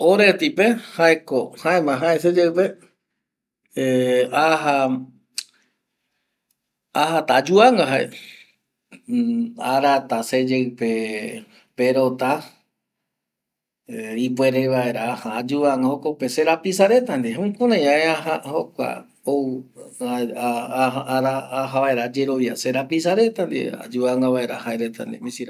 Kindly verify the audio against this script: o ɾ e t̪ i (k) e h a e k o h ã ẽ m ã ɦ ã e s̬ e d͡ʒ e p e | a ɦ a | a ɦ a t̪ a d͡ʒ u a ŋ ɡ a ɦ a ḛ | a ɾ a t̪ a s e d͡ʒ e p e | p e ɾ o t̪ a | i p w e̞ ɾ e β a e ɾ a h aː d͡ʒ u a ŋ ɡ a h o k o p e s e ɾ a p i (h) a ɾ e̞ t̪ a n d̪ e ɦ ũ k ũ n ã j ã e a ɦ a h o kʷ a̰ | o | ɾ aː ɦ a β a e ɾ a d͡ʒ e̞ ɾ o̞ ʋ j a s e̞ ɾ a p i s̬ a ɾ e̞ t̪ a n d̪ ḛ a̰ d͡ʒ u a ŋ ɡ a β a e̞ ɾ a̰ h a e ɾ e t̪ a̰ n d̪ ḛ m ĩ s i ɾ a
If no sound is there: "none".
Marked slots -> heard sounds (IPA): p, s

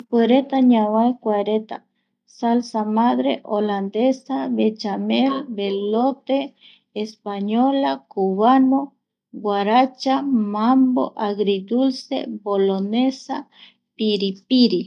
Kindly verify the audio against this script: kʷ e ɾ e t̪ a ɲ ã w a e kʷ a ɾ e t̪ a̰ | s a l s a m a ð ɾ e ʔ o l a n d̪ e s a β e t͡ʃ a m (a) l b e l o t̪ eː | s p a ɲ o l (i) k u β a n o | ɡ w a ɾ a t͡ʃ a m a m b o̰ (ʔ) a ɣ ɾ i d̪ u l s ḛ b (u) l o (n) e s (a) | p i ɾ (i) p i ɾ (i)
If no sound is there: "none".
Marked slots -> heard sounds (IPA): e, a, ʔ, o, n, a, i, i

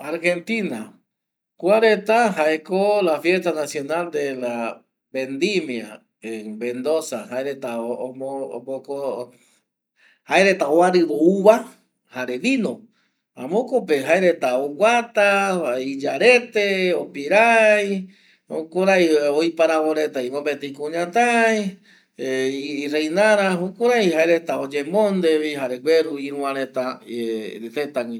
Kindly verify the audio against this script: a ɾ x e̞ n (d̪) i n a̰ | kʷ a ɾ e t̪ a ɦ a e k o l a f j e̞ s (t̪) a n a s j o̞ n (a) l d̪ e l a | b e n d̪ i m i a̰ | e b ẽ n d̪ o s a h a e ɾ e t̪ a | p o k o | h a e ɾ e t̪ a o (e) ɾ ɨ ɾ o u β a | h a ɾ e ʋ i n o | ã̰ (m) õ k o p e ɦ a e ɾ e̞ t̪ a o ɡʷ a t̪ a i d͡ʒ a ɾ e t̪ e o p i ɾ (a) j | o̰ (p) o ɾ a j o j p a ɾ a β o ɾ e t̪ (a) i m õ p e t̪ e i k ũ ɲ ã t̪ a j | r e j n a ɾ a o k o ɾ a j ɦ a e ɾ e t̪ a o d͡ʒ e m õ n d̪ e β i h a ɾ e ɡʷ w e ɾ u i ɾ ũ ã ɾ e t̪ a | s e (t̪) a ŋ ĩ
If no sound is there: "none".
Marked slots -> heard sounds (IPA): t̪, t̪, a, a, m, a, k, a, t̪

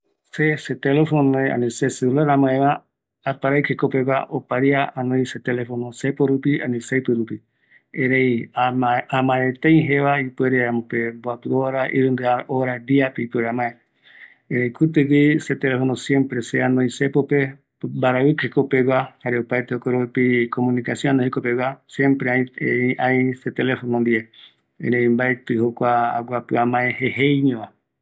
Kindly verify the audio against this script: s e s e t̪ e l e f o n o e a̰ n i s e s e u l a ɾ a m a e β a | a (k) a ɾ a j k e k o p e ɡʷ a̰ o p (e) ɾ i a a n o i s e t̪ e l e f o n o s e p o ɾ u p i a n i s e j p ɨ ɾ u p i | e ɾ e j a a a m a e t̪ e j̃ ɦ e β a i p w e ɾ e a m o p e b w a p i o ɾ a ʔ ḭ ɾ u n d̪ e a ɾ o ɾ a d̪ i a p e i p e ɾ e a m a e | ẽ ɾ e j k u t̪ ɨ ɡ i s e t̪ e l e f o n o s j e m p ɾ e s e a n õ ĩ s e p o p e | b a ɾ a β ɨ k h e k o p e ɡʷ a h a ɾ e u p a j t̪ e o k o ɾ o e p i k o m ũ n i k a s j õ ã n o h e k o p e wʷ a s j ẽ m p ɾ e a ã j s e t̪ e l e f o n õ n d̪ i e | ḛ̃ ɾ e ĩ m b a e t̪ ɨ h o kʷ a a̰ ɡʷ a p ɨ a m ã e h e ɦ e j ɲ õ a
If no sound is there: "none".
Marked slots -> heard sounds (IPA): p, a

